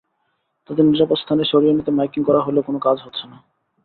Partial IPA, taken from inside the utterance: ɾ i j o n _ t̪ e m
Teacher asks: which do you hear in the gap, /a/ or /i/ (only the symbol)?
i